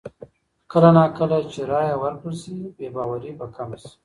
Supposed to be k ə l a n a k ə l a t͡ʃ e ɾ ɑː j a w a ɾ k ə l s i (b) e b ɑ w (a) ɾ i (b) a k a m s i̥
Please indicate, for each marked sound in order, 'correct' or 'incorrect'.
correct, correct, correct

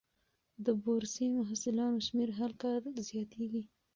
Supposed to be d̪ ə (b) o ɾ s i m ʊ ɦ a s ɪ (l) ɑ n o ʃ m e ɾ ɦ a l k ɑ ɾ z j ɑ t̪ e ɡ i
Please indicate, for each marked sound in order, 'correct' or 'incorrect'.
correct, correct

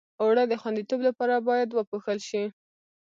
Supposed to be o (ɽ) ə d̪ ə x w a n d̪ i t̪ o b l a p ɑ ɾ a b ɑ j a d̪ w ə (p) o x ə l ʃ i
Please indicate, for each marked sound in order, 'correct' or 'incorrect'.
correct, correct

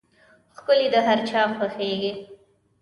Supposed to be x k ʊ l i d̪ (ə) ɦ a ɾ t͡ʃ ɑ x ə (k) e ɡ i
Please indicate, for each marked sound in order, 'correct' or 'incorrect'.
correct, incorrect

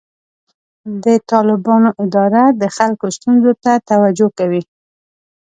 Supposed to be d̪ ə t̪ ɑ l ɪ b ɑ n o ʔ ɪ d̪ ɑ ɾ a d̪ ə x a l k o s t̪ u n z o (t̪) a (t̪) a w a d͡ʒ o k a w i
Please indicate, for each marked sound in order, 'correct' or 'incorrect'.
correct, correct

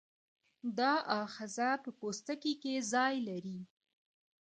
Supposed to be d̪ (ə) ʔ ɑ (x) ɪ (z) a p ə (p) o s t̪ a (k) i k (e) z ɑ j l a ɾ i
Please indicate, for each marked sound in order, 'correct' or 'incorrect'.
incorrect, correct, correct, correct, correct, correct

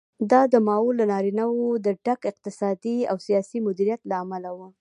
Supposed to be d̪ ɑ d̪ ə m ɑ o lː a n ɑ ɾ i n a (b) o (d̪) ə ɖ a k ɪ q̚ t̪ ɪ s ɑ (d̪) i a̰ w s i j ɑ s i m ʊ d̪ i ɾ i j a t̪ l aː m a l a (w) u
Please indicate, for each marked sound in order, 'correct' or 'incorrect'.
incorrect, correct, correct, correct

